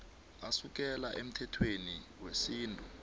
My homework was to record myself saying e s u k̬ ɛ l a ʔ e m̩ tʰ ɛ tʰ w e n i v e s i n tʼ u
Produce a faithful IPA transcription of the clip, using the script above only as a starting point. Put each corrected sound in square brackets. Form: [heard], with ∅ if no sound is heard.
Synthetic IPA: [a] s u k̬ ɛ l a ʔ e m̩ tʰ ɛ tʰ w e n i [w] e s [iː] n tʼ u